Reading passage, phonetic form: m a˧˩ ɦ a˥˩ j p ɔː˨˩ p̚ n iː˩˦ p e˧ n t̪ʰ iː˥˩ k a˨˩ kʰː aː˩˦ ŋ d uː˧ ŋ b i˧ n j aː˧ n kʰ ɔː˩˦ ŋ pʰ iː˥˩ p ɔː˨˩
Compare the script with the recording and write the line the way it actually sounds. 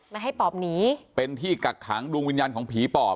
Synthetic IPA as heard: m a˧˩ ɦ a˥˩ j p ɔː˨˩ p̚ n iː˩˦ p e˧ n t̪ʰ iː˥˩ k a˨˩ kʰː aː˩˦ ŋ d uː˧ ŋ w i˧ n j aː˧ n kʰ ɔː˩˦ ŋ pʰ iː˨˩˦ p ɔː˨˩